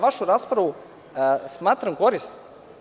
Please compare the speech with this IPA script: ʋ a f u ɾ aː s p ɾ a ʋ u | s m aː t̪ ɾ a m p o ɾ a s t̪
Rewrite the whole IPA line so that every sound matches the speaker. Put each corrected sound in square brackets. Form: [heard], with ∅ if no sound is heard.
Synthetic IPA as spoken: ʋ a [ʃ] u ɾ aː s p ɾ a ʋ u | s m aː t̪ ɾ a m [k] o ɾ [i] s t̪